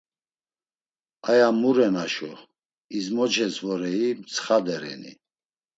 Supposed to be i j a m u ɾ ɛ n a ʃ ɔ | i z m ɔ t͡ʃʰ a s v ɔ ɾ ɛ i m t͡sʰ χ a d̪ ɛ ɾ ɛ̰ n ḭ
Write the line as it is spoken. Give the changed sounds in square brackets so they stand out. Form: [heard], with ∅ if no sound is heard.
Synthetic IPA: [a] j a m u ɾ ɛ n a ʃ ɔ | i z m ɔ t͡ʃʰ [ɛ] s v ɔ ɾ ɛ i m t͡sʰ χ a d̪ ɛ ɾ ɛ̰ n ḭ